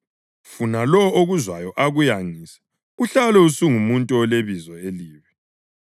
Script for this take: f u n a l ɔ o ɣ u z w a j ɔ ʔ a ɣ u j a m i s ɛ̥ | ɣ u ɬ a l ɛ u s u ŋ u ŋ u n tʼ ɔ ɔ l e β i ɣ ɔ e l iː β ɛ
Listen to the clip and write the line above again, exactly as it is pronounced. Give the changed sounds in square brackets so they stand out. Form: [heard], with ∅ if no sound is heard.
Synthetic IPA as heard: f u n a l ɔ o ɣ u z w a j ɔ ʔ a ɣ u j a [ŋ] i s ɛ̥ | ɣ u ɬ a l ɛ u s u ŋ u [m] u n tʼ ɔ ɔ l e β i [z] ɔ e l iː β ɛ